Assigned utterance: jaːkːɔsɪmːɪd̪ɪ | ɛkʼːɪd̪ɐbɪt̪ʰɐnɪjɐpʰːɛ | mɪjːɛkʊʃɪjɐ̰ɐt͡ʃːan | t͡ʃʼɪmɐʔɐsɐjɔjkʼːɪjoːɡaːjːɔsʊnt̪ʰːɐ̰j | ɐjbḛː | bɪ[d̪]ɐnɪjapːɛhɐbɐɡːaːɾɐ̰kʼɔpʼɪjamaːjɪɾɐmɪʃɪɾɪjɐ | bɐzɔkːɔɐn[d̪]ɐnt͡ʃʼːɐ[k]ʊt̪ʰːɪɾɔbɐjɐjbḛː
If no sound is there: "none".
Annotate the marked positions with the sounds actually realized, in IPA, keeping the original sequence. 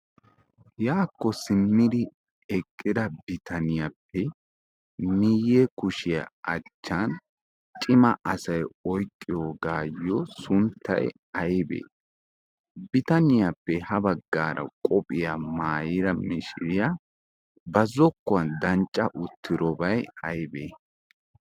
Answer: t̪, d̪, ʔ

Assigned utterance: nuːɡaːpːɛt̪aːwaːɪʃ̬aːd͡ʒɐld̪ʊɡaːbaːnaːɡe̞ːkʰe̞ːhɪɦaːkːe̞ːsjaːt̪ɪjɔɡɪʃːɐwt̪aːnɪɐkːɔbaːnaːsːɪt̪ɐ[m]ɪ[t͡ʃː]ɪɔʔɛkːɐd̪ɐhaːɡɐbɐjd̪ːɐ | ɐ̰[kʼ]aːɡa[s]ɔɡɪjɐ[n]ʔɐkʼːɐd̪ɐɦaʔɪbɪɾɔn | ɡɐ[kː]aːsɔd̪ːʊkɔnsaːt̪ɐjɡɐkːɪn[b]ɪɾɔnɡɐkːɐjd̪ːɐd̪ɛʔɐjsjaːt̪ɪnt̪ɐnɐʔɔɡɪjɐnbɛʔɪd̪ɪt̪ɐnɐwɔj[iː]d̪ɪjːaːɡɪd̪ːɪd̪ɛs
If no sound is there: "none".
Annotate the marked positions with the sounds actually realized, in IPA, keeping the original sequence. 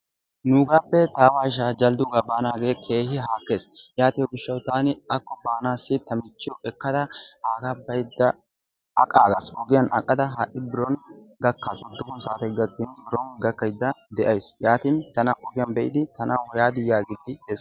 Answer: m, t͡ʃː, kʼ, s, n, kː, b, aː

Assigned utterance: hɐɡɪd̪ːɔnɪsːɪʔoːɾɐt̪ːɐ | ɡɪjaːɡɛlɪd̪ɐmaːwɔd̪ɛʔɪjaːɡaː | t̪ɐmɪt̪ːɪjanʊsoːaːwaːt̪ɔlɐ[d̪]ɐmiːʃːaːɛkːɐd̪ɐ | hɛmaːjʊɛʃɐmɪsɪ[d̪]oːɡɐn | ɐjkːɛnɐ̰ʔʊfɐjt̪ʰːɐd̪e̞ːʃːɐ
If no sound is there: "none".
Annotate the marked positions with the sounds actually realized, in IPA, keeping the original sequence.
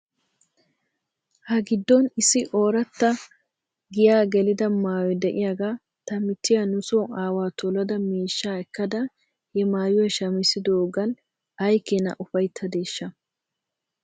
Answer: d̪, d̪

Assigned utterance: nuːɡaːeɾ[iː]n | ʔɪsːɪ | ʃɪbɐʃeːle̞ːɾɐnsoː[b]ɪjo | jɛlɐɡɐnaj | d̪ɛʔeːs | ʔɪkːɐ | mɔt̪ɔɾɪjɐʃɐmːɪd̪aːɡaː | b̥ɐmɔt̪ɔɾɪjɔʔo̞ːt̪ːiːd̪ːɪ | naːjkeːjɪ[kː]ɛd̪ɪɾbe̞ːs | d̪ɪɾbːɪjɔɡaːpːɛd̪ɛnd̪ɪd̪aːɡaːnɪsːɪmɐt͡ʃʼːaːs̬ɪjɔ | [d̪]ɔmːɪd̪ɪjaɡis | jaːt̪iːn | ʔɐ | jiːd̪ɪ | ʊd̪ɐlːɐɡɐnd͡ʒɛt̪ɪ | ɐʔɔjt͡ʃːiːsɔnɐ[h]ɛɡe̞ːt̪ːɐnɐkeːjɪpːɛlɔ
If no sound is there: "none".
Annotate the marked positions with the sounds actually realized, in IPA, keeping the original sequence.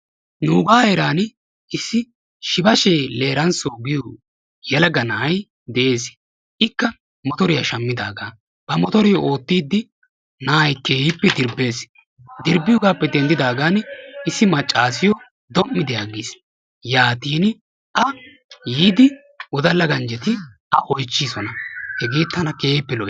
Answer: aː, ɡ, pː, d̪, h

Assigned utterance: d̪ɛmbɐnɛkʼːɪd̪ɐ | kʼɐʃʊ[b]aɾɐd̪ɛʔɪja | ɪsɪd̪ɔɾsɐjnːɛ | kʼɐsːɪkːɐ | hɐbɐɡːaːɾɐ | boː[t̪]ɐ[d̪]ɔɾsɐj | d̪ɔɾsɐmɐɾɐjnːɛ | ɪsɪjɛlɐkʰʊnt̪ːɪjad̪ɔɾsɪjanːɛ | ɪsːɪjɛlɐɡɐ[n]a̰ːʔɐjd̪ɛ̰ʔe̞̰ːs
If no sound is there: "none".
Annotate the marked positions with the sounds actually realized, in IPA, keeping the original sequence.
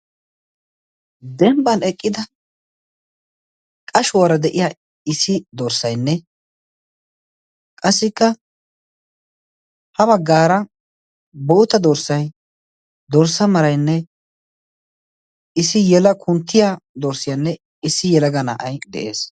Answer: w, t̪, d̪, n

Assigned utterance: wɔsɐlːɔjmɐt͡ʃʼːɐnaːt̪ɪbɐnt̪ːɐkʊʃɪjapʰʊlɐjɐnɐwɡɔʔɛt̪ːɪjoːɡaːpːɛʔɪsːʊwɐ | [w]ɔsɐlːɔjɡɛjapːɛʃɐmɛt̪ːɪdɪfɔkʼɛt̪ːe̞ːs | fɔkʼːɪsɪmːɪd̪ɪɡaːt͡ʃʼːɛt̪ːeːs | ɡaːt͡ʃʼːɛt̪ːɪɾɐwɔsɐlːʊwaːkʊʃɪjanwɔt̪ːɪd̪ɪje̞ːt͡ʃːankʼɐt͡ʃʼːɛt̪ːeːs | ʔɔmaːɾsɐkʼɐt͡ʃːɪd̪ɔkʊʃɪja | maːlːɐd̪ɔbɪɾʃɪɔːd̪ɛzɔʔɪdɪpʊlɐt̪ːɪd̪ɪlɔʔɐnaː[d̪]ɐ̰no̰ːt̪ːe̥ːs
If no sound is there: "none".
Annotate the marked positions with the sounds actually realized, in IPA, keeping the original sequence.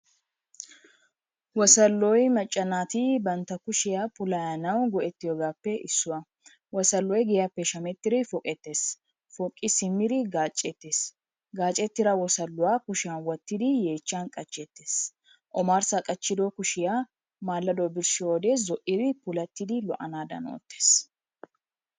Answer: w, d̪

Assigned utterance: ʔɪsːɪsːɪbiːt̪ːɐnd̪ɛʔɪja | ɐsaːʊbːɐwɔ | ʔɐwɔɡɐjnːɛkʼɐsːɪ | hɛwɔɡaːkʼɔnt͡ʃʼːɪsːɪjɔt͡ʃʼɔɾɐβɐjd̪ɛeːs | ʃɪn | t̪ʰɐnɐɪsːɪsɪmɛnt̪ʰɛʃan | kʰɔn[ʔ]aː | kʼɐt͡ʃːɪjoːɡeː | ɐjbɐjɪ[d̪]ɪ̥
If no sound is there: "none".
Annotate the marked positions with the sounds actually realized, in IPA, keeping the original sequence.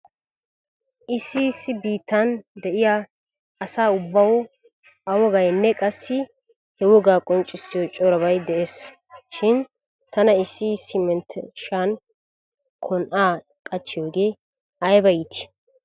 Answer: ʔ, t̪

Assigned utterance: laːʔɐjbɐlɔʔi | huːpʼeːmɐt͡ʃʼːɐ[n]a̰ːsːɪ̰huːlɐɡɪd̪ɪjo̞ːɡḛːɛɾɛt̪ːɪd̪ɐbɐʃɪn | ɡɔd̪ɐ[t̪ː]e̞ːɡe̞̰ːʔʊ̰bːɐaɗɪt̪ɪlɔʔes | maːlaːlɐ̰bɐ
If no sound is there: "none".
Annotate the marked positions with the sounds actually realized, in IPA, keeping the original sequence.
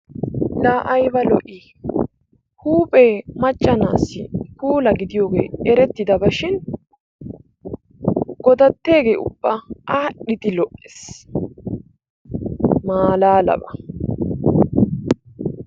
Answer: n, t̪ː

